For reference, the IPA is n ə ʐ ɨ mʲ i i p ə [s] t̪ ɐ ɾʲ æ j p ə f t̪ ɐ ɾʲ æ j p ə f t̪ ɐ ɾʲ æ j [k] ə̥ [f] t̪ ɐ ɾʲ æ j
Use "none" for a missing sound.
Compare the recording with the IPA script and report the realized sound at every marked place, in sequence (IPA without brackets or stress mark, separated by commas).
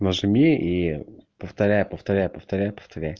f, p, f